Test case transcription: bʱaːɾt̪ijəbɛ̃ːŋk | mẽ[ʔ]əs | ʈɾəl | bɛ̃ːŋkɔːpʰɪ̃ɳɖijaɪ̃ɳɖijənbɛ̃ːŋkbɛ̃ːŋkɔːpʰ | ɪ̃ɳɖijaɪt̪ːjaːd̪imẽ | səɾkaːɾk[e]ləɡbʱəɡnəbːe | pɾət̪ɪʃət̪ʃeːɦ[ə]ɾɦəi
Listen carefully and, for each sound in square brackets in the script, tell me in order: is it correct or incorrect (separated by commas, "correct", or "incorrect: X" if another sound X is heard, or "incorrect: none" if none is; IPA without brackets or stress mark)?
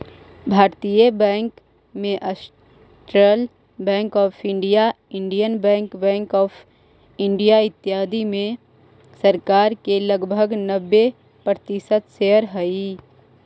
correct, correct, correct